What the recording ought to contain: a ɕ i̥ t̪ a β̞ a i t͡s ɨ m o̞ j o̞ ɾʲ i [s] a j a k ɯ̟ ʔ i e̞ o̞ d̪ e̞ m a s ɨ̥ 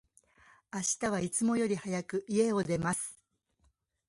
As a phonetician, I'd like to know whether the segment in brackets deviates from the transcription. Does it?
yes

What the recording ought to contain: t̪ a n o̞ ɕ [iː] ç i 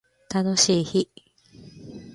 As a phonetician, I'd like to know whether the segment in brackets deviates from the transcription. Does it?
no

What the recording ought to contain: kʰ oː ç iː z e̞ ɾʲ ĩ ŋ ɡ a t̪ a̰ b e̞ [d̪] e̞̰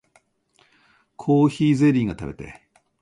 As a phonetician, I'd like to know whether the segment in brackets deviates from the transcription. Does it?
yes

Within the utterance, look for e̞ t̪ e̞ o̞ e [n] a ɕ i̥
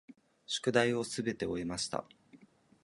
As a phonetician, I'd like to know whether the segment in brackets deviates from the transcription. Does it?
yes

